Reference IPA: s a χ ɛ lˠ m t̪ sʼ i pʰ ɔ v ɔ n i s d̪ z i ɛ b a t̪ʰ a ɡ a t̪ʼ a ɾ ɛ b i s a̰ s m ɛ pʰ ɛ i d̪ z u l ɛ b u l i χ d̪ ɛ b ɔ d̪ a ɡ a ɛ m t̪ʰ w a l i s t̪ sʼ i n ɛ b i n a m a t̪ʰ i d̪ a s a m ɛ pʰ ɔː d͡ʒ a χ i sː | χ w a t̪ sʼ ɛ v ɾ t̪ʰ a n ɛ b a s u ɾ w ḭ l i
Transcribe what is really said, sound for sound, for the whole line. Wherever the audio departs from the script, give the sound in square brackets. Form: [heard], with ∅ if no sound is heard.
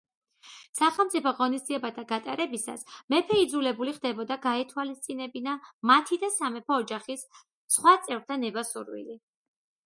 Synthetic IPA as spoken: s a χ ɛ lˠ m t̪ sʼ i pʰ ɔ [ʁ] ɔ n i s d̪ z i ɛ b a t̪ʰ a ɡ a t̪ʼ a ɾ ɛ b i s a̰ s m ɛ pʰ ɛ i d̪ z u l ɛ b u l i χ d̪ ɛ b ɔ d̪ a ɡ a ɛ [∅] t̪ʰ w a l i s t̪ sʼ i n ɛ b i n a m a t̪ʰ i d̪ a s a m ɛ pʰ ɔː d͡ʒ a χ i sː | χ w a t̪ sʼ ɛ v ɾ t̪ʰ a n ɛ b a s u ɾ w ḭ l i

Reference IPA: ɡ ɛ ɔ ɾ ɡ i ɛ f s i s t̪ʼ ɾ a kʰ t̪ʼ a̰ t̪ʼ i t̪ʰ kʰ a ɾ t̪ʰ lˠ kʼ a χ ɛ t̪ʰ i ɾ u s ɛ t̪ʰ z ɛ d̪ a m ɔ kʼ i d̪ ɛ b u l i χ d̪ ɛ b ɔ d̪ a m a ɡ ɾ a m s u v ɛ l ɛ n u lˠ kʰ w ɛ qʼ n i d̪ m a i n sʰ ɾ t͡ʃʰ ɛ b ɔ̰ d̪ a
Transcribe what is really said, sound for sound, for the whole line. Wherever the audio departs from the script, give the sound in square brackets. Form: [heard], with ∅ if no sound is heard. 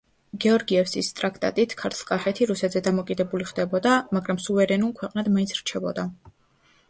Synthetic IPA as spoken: ɡ ɛ ɔ ɾ ɡ i ɛ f s i s t̪ʼ ɾ a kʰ t̪ʼ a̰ t̪ʼ i t̪ʰ kʰ a ɾ t̪ʰ lˠ kʼ a χ ɛ t̪ʰ i ɾ u s ɛ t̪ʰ z ɛ d̪ a m ɔ kʼ i d̪ ɛ b u l i χ d̪ ɛ b ɔ d̪ a m a ɡ ɾ a m s u v ɛ [ɾ] ɛ n u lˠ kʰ w ɛ qʼ n [a] d̪ m a i n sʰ ɾ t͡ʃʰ ɛ b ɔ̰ d̪ a

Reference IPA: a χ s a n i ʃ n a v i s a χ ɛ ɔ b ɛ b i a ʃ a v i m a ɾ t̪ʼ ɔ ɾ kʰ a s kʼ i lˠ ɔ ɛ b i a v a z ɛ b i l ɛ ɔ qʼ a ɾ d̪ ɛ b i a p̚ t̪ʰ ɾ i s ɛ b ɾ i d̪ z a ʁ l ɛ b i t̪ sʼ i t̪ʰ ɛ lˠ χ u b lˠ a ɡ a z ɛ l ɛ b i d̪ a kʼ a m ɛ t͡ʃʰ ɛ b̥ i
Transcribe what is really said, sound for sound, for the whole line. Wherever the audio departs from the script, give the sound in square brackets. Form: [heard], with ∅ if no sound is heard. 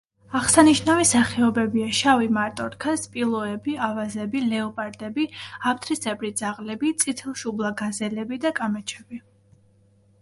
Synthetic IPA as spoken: a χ s a n i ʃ n a v i s a χ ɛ ɔ b ɛ b i a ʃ a v i m a ɾ t̪ʼ ɔ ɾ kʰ a s [pʼ] i lˠ ɔ ɛ b i a v a z ɛ b i l ɛ ɔ [pʼ] a ɾ d̪ ɛ b i a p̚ t̪ʰ ɾ i s ɛ b ɾ i d̪ z a ʁ l ɛ b i t̪ sʼ i t̪ʰ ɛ lˠ [ʃ] u b lˠ a ɡ a z ɛ l ɛ b i d̪ a kʼ a m ɛ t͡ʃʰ ɛ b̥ i

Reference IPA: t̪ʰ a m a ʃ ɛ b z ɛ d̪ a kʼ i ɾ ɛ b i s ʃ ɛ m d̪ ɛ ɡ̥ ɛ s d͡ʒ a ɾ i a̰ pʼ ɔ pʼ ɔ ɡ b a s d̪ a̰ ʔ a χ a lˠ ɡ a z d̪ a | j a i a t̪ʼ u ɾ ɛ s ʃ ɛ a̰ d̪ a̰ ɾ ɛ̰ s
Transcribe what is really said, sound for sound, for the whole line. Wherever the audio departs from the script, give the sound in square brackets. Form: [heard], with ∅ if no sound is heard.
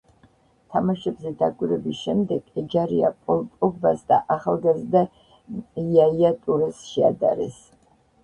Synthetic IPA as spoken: t̪ʰ a m a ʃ ɛ b z ɛ d̪ a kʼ i ɾ ɛ b i s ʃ ɛ m d̪ ɛ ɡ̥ ɛ [∅] d͡ʒ a ɾ i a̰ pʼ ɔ pʼ ɔ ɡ b a s d̪ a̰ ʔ a χ a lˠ ɡ a z d̪ a | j a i a t̪ʼ u ɾ ɛ s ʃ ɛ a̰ d̪ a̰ ɾ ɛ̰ s

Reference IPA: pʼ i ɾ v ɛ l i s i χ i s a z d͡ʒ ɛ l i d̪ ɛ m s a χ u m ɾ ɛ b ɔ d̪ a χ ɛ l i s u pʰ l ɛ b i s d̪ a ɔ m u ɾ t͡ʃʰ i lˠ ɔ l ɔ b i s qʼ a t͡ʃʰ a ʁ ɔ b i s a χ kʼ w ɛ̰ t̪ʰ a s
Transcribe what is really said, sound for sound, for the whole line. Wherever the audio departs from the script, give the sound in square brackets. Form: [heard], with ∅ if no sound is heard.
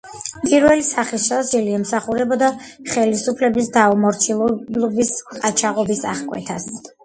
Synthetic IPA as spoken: pʼ i ɾ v ɛ l i s [a] χ i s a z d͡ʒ ɛ l i [∅] ɛ m s a χ u [∅] ɾ ɛ b ɔ d̪ a χ ɛ l i s u pʰ l ɛ b i s d̪ a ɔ m [ɔ] ɾ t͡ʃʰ i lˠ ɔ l ɔ b i s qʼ a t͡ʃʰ a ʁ ɔ b i s a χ kʼ w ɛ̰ t̪ʰ a s

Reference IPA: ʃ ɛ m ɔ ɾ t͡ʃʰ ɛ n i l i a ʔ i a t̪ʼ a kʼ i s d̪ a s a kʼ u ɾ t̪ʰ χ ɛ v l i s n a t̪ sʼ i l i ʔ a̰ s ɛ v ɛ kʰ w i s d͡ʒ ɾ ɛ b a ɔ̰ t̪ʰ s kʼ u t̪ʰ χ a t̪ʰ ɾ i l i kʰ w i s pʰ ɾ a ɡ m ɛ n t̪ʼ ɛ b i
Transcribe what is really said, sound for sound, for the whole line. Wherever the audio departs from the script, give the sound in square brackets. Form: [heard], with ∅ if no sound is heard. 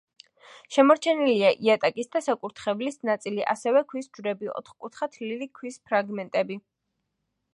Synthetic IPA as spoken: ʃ ɛ m ɔ ɾ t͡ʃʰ ɛ n i l i a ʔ i a t̪ʼ a kʼ i s d̪ a s a kʼ u ɾ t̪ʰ χ ɛ v l i s n a t̪ sʼ i l i ʔ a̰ s ɛ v ɛ kʰ w i s d͡ʒ ɾ ɛ b [i] ɔ̰ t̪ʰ [χ] kʼ u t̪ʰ χ a t̪ʰ [l] i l i kʰ w i s pʰ ɾ a ɡ m ɛ n t̪ʼ ɛ b i

